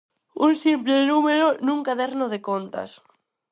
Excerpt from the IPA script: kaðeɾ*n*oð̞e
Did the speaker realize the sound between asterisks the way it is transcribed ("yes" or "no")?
yes